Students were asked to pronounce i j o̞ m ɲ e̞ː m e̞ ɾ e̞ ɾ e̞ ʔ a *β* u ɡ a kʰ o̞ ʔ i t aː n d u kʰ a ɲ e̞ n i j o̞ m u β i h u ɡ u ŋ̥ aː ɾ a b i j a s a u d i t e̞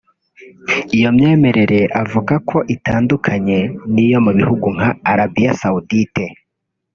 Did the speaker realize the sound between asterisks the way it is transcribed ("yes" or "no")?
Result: no